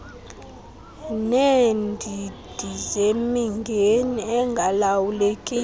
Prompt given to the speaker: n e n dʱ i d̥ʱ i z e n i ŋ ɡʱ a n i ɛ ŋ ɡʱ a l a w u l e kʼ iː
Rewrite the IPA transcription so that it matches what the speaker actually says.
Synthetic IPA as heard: n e n dʱ i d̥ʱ i z e m i ŋ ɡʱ e n i ɛ ŋ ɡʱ a l a w u l e kʼ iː